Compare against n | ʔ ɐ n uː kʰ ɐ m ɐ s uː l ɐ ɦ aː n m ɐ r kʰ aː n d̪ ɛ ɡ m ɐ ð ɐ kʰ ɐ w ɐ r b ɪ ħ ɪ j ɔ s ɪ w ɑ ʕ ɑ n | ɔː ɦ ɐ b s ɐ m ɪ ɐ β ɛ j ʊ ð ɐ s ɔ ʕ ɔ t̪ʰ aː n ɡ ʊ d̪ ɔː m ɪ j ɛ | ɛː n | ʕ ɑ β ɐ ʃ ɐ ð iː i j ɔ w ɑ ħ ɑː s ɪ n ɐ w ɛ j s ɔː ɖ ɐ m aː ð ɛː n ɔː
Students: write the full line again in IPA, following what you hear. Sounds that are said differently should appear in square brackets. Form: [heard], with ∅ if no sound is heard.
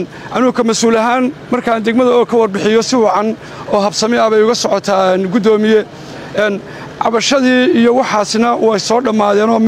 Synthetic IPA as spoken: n | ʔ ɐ n uː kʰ ɐ m ɐ s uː l ɐ ɦ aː n m ɐ r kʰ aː n d̪ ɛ ɡ m ɐ ð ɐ kʰ ɐ w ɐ r b ɪ ħ ɪ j ɔ s ɪ w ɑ ʕ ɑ n | ɔː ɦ ɐ b s ɐ m ɪ ɐ β ɛ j ʊ [ɣ] ɐ s ɔ ʕ ɔ t̪ʰ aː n ɡ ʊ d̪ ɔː m ɪ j ɛ | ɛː n | ʕ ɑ β ɐ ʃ ɐ ð iː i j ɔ w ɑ ħ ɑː s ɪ n ɐ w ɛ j s ɔː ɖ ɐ m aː ð ɛː n ɔː